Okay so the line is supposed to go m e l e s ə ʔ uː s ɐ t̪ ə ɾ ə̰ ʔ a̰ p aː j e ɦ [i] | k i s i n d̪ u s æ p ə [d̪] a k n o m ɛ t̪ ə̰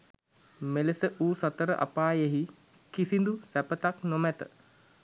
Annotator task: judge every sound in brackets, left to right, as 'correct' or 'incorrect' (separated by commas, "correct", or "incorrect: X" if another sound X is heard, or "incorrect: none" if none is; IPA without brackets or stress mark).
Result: correct, incorrect: t̪